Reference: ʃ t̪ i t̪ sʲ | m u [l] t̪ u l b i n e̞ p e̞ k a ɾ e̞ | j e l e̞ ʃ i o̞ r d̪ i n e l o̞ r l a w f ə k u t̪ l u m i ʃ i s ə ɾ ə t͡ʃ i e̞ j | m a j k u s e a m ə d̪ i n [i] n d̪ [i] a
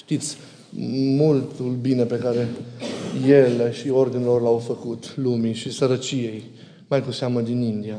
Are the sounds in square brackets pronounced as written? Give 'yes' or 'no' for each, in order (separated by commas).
yes, yes, yes